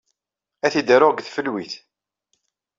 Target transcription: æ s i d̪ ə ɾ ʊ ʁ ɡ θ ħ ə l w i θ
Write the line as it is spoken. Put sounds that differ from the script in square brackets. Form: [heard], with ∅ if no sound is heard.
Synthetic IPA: æ [θ] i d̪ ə ɾ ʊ ʁ ɡ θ [f] ə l w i θ